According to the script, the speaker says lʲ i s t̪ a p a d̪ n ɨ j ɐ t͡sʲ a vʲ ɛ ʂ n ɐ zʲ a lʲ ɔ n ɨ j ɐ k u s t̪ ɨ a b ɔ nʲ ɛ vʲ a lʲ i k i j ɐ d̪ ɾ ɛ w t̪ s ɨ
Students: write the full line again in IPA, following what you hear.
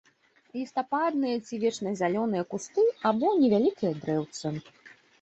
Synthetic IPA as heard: lʲ i s t̪ a p a d̪ n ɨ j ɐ t͡sʲ i vʲ ɛ t͡ʂ n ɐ zʲ a lʲ ɔ n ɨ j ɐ k u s t̪ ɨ a b ɔ nʲ ɛ vʲ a lʲ i k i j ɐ d̪ ɾ ɛ w t̪ s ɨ